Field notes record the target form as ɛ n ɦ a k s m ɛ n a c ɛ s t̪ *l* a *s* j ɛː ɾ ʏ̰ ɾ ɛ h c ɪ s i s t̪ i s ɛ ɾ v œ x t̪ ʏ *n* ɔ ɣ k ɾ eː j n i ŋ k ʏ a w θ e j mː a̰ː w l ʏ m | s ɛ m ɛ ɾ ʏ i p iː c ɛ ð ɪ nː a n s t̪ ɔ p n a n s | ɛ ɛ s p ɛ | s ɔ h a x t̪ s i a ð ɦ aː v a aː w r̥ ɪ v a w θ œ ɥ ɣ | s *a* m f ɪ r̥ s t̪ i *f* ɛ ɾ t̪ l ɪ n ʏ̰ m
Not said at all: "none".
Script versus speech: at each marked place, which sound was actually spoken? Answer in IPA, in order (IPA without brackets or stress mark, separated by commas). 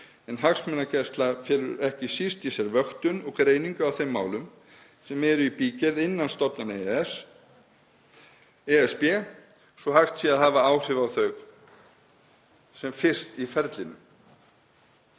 l, f, n, ɛ, f